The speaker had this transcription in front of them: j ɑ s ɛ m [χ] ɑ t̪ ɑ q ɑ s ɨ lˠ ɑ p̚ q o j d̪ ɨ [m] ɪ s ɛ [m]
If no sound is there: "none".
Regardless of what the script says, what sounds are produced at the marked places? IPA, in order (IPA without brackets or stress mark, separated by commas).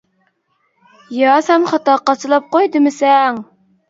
χ, m, ŋ